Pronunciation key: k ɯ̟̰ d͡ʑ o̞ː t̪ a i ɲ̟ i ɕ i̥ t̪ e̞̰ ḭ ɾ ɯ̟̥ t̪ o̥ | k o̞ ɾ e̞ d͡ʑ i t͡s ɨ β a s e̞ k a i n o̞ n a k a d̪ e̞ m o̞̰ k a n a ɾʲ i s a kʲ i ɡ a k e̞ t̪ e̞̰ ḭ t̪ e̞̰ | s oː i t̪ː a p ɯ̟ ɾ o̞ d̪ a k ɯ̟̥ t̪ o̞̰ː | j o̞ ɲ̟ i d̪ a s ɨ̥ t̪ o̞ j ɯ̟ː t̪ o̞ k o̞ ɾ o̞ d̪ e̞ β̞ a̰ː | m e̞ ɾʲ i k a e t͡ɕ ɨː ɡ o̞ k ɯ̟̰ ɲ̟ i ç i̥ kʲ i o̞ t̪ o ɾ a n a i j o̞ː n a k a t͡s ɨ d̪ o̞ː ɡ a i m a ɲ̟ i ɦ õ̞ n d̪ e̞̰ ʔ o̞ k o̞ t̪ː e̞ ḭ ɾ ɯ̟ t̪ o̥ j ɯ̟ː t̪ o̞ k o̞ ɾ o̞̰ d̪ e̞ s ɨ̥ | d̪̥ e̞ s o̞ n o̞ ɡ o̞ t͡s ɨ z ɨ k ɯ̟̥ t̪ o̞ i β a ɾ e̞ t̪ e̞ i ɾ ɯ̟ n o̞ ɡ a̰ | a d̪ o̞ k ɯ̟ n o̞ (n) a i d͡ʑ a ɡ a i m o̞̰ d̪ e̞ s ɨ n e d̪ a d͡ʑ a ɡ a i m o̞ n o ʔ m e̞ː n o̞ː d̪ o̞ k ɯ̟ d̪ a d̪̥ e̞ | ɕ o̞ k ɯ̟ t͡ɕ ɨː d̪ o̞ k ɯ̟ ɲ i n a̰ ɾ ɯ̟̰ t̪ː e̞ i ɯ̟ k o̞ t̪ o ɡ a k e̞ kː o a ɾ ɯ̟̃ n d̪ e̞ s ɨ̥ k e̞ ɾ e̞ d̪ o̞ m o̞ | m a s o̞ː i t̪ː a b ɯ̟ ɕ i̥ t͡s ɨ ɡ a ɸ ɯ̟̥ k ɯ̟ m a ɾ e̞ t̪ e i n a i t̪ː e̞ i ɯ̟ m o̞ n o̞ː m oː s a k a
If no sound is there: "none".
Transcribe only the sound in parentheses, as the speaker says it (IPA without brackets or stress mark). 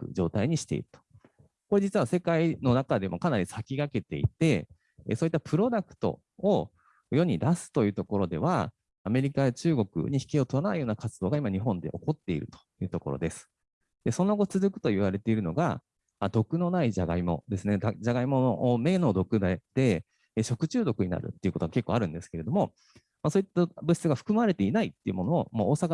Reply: n